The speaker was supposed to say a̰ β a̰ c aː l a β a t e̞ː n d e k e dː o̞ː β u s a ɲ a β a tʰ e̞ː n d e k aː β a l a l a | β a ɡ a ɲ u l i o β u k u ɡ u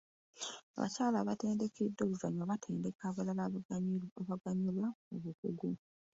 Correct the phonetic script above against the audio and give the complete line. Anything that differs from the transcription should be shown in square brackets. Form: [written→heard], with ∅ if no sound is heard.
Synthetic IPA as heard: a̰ β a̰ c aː l a β a t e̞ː n d e k e dː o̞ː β u [s→z] a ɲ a β a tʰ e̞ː n d e k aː β a l a l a | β a ɡ a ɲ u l [i→a] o β u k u ɡ u